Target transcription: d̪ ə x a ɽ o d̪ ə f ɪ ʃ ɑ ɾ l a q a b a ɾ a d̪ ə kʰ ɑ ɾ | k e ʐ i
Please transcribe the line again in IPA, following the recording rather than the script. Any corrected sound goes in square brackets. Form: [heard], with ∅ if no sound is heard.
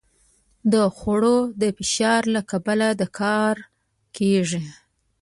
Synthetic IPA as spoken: d̪ ə x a ɽ o d̪ ə f ɪ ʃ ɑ ɾ l a [k] a b a [l] a d̪ ə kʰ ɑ ɾ | k e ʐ i